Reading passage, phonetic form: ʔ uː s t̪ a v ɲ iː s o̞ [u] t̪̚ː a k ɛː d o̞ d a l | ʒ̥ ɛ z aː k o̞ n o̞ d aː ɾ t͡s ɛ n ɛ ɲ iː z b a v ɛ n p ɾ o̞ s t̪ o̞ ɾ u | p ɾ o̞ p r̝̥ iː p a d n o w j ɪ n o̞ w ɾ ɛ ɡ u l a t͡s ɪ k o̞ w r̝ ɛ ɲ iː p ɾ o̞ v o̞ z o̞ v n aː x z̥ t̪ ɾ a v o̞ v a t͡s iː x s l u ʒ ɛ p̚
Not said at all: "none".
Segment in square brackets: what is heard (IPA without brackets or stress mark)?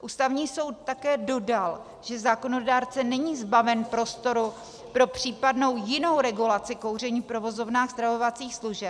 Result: w